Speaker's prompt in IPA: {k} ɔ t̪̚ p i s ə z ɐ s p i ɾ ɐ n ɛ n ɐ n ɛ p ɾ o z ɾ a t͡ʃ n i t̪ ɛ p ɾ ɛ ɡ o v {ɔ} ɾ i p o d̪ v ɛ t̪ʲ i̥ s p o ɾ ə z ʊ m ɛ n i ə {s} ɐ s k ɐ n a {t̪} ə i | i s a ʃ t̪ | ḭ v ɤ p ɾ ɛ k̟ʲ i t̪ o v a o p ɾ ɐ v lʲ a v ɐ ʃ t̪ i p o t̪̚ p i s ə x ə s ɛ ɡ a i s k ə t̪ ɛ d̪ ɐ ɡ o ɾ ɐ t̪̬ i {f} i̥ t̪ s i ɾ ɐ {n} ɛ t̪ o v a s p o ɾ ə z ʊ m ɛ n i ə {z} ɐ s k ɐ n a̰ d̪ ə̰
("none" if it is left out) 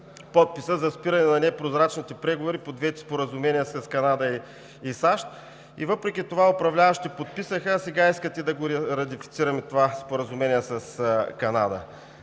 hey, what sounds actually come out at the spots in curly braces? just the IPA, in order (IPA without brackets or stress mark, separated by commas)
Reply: p, o, s, d̪, f, m, s